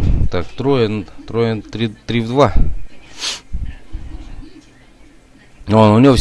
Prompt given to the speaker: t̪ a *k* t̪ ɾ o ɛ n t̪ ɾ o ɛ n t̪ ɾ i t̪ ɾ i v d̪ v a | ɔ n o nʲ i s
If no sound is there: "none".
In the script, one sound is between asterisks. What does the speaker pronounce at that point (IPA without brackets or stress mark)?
k